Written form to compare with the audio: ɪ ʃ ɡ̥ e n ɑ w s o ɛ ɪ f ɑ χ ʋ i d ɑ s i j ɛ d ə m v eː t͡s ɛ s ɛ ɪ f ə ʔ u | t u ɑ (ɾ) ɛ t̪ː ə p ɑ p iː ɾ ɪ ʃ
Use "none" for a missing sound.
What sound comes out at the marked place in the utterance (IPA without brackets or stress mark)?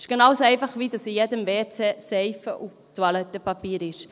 l